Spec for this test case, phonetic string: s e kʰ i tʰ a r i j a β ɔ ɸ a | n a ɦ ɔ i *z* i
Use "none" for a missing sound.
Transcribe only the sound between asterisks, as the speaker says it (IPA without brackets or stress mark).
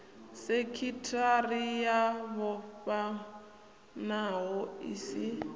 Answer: s